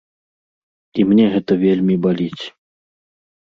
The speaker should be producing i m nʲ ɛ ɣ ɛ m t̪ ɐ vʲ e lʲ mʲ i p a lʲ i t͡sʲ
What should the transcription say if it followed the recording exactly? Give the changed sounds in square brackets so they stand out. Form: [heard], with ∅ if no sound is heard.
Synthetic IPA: i m nʲ ɛ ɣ ɛ [∅] t̪ ɐ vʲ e lʲ mʲ i [b] a lʲ i t͡sʲ